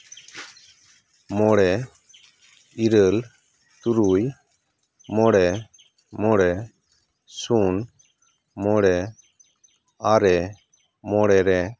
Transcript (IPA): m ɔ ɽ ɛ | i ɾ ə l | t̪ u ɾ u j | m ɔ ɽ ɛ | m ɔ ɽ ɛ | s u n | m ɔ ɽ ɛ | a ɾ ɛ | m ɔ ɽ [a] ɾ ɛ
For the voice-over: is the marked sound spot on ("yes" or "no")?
no